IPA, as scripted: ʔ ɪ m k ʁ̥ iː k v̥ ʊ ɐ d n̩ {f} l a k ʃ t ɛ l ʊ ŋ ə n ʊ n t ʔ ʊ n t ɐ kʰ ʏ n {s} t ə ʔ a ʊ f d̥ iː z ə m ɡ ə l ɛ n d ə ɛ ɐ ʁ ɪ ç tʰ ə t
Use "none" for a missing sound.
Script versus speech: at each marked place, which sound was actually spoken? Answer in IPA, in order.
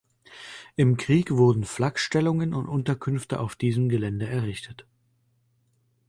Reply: f, f

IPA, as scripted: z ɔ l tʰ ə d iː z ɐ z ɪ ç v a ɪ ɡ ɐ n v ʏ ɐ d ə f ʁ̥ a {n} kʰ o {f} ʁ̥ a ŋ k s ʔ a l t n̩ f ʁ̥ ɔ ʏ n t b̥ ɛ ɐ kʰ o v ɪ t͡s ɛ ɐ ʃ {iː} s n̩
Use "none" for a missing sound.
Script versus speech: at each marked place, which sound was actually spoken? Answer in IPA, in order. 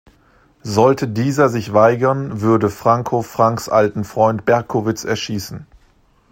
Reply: ŋ, f, iː

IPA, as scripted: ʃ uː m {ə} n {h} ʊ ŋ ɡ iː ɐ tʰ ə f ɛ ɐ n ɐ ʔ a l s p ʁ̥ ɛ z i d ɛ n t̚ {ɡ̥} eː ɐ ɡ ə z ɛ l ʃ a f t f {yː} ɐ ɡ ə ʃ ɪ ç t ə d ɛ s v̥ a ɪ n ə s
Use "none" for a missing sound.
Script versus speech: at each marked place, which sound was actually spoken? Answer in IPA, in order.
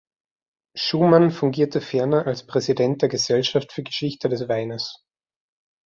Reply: a, f, d̥, yː

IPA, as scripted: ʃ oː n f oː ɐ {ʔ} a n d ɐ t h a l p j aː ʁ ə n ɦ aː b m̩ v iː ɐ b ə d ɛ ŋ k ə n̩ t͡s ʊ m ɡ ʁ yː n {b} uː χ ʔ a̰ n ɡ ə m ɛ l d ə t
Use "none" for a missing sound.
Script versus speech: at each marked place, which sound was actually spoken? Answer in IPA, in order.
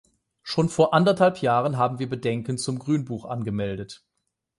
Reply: ʔ, b

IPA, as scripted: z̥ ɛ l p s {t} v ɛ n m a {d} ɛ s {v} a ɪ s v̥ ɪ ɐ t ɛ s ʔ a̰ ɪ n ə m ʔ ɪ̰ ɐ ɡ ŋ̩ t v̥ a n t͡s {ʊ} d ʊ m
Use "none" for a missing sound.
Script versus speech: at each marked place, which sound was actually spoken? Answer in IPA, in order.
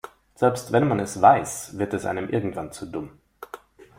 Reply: t, n, v, u

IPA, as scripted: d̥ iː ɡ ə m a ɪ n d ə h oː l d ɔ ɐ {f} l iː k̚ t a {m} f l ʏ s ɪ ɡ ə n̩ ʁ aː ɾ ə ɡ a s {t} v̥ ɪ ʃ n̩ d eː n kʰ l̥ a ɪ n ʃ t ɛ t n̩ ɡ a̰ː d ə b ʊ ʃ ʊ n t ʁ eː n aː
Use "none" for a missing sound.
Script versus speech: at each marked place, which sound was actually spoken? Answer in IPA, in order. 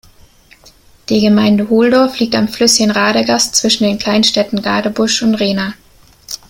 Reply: f, m, t͡s

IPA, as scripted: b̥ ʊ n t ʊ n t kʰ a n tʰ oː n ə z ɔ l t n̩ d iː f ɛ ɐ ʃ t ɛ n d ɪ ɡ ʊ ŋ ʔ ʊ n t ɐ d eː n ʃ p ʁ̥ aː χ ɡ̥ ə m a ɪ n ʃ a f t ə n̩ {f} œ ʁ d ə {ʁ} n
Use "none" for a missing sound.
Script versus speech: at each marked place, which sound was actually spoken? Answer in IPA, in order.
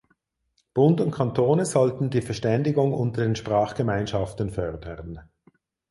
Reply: f, ʁ

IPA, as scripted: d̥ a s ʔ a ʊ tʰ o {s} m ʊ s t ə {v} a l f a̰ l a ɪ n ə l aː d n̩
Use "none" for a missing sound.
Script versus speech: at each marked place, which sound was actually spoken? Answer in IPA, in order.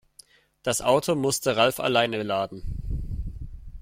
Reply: none, ʁ

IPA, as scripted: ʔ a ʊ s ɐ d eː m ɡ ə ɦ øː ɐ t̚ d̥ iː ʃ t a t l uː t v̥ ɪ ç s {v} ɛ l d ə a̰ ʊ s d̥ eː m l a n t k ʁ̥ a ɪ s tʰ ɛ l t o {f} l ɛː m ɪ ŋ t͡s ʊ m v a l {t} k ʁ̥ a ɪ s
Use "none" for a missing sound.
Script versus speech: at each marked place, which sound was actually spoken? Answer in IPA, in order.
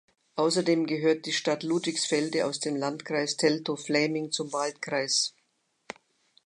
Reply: f, f, t

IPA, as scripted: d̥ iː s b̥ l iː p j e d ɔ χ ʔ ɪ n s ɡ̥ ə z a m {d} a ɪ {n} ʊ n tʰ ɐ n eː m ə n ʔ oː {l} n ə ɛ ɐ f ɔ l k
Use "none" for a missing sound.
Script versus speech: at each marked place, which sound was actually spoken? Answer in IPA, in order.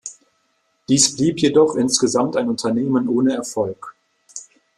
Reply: t, n, none

